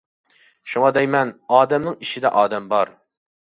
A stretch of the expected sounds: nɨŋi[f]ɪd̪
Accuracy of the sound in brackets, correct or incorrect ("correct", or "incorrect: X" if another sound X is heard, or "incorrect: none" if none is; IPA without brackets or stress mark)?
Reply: incorrect: ʃ